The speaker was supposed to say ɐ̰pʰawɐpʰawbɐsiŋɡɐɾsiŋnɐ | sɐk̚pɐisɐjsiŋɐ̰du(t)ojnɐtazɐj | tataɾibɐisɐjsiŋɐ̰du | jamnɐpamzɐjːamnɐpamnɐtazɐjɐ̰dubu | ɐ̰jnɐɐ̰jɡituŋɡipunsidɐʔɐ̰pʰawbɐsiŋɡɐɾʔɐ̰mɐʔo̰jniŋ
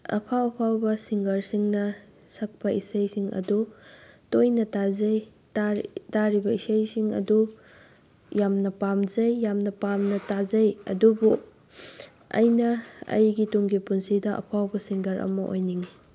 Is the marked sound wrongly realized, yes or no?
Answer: no